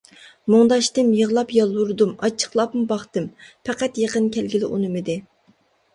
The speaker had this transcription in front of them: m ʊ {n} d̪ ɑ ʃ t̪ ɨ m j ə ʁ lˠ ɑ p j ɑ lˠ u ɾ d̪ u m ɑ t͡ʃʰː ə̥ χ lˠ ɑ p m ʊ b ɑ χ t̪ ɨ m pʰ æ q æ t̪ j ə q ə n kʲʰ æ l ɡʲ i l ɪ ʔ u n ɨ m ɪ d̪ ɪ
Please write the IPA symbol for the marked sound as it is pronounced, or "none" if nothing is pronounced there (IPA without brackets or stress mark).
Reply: ŋ